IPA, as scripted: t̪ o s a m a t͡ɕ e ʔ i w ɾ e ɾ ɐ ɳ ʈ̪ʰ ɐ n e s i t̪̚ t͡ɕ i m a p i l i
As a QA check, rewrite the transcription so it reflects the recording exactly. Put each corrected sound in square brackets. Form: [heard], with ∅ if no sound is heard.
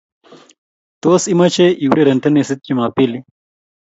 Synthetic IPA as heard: t̪ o s [i] m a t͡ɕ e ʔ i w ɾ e ɾ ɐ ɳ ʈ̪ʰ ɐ n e s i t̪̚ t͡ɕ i m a p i l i